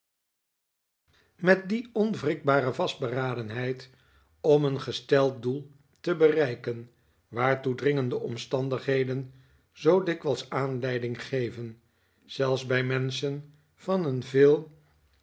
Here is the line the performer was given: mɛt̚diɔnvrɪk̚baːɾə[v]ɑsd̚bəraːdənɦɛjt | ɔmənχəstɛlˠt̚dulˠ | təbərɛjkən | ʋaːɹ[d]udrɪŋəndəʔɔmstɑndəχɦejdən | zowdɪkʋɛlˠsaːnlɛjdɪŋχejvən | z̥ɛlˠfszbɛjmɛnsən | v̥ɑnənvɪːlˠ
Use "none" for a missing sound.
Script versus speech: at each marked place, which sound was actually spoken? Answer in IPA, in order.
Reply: v, t

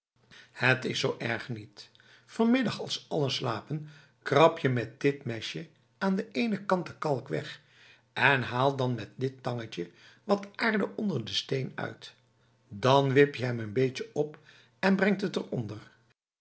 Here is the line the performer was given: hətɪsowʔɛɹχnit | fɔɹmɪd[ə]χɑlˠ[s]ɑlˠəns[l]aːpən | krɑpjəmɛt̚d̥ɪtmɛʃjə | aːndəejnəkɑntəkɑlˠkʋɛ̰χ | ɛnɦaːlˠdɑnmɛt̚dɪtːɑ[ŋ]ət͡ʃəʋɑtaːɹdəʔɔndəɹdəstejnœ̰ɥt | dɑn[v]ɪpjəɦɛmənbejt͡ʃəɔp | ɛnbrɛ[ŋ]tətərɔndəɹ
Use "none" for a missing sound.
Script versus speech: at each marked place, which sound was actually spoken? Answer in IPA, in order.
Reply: ɑ, s, l, ŋ, ʋ, ŋ

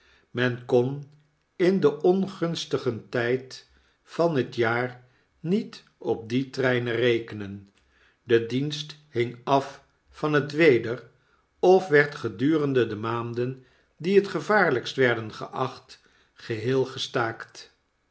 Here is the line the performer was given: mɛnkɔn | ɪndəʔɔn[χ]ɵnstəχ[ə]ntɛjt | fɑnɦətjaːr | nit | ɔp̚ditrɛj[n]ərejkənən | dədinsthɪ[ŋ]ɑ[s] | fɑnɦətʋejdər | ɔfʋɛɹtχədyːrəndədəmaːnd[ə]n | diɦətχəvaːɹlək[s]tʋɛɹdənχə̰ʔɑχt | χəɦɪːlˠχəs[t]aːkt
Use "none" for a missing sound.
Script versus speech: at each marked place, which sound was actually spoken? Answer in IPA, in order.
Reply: χ, ə, n, ŋ, f, ə, s, t

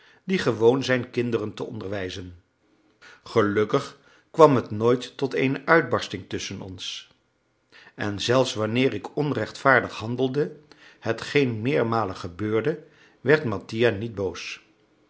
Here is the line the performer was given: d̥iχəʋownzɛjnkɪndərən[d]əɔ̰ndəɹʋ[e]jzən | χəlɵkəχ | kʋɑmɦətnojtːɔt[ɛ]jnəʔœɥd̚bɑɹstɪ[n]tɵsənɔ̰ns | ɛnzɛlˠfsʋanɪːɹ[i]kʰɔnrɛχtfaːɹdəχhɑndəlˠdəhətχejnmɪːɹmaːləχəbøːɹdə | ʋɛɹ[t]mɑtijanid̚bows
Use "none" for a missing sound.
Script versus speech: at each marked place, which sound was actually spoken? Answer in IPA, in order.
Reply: t, ɛ, e, ŋ, ɪ, t

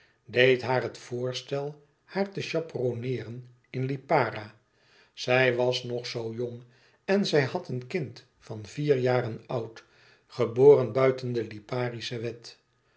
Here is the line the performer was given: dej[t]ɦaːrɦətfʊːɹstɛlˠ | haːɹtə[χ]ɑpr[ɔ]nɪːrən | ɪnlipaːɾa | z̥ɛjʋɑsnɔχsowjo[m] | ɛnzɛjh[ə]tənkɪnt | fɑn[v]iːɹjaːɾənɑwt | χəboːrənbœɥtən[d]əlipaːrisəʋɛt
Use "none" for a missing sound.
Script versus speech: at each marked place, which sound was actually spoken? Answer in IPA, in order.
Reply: t, ʃ, o, ŋ, ɑ, v, d

